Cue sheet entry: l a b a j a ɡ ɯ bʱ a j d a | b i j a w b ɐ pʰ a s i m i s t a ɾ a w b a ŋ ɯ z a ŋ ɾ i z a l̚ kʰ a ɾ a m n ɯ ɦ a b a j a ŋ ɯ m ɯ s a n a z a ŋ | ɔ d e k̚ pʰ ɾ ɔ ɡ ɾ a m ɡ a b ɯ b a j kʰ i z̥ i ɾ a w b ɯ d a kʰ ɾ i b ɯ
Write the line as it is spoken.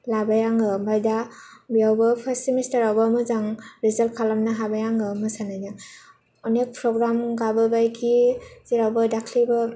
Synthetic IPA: l a b a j a ŋ ɯ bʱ a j d a | b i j a w b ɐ pʰ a s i m i s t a ɾ a w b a m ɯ z a ŋ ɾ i z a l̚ kʰ a l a m n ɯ ɦ a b a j a ŋ ɯ m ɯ s a n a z a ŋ | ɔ n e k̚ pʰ ɾ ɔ ɡ ɾ a m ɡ a b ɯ b a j kʰ i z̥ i ɾ a w b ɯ d a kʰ l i b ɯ